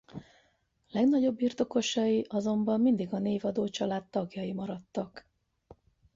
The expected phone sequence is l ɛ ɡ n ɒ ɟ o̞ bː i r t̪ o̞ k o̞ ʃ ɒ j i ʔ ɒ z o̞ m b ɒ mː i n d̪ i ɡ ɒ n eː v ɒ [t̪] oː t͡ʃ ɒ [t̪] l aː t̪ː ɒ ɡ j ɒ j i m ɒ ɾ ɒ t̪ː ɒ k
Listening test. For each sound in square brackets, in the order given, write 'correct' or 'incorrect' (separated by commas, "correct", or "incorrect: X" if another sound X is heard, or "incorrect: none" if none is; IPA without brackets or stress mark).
incorrect: d̪, incorrect: none